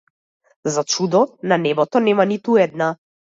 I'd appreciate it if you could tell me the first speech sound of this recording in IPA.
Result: z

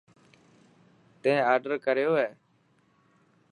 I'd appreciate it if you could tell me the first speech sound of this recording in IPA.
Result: t̪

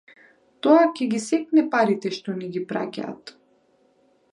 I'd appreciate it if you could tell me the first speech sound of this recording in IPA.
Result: t̪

